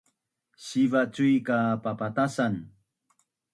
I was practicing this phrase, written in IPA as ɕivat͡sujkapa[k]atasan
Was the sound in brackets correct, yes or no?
no